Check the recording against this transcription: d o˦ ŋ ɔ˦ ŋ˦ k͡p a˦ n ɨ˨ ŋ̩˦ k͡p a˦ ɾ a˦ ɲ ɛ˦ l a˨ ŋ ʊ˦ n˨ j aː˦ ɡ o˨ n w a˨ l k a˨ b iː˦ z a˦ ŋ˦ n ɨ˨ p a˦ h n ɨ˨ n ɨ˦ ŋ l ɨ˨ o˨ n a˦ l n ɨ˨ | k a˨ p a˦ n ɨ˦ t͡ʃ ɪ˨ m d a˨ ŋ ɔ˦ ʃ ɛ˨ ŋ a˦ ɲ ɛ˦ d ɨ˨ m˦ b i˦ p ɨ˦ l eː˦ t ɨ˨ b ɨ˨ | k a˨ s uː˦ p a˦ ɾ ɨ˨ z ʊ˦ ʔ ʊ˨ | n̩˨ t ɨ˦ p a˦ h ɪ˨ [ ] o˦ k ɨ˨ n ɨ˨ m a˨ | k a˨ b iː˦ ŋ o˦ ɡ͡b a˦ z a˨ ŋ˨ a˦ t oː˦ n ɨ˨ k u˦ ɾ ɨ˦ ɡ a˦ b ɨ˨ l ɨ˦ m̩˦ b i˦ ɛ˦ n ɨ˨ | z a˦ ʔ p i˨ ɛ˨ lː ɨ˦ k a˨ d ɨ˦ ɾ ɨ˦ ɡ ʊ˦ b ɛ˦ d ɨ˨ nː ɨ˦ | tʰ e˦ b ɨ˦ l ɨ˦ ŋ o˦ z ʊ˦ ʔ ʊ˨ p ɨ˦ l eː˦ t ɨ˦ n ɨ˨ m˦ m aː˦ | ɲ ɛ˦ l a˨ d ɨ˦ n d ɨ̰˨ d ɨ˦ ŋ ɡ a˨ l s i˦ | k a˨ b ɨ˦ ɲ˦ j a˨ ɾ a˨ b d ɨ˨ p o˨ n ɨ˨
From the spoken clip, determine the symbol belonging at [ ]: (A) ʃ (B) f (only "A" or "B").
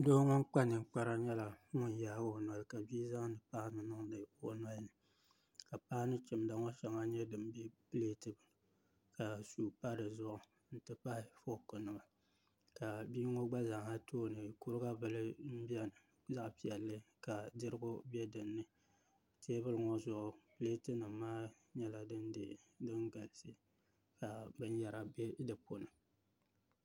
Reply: B